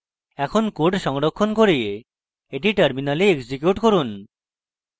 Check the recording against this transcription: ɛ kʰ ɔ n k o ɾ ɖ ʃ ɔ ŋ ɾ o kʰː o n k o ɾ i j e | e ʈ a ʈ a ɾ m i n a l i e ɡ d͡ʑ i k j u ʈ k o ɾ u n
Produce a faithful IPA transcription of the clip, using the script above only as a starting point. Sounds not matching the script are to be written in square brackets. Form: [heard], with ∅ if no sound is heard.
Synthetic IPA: ɛ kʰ [o] n k o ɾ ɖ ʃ ɔ ŋ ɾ o kʰː o n k o ɾ i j e | e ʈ [i] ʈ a ɾ m i n a l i e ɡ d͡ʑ i k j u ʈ k o ɾ u n